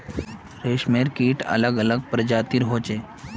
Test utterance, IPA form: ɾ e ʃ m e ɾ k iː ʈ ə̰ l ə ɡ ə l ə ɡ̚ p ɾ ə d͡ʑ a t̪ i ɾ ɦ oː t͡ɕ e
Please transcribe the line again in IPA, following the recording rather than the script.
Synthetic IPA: ɾ e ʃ m e ɾ k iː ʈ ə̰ l ə ɡ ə l ə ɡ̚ p ɾ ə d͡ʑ a t̪ i ɾ ɦ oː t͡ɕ e